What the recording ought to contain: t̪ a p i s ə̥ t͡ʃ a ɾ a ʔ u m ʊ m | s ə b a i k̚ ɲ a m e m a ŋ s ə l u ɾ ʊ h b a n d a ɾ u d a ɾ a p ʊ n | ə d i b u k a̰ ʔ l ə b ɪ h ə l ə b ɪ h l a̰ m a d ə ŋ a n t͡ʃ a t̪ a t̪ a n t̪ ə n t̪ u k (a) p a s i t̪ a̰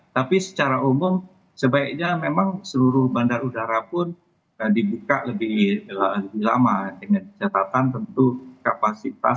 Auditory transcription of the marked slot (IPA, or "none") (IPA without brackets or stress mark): a